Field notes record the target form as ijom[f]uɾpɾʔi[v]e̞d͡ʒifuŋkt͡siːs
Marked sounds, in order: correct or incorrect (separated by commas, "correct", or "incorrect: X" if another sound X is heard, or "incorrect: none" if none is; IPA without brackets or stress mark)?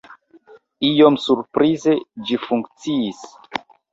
incorrect: s, incorrect: z